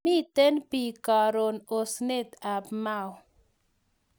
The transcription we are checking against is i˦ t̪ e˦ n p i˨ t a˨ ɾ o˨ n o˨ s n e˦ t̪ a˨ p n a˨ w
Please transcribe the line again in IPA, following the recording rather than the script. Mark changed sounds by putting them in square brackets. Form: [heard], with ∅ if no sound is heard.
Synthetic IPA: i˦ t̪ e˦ n p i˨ [k] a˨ ɾ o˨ n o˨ s n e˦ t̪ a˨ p [m] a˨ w